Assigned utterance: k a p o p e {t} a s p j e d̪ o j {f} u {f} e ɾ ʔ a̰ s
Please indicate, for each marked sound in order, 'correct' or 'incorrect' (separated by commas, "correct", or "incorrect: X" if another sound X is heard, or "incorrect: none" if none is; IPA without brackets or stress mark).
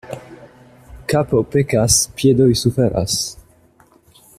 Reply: incorrect: k, incorrect: s, correct